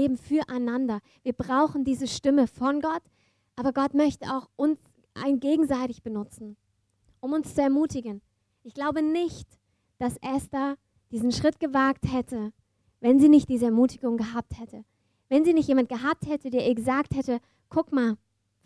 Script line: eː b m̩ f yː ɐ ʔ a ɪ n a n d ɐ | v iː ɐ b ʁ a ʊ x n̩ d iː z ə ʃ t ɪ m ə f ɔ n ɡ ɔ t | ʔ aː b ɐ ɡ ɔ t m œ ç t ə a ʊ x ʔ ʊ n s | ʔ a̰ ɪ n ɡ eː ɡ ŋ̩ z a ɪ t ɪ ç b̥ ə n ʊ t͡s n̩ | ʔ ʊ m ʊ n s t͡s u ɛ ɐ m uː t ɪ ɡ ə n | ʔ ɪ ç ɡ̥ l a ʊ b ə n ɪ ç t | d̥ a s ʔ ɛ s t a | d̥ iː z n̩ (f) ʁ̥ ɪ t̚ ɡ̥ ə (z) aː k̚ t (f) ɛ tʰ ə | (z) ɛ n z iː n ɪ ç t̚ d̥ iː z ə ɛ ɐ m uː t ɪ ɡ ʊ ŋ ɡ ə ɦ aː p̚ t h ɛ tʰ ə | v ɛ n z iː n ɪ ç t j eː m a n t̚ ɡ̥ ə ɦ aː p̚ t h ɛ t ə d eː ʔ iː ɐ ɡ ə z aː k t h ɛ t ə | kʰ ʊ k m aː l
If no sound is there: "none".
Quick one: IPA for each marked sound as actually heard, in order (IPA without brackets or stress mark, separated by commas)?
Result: ʃ, v, h, v